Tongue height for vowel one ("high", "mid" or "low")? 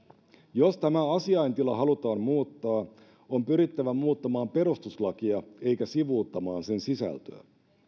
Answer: mid